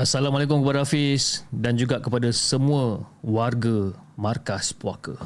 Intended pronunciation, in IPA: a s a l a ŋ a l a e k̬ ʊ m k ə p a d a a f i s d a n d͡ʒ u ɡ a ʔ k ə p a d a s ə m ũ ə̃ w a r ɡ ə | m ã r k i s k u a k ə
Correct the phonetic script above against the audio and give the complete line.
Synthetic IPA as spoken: a s a l a m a l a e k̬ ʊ m k ə p a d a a f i s d a n d͡ʒ u ɡ a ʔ k ə p a d a s ə m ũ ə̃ w a r ɡ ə | m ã r k a s p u a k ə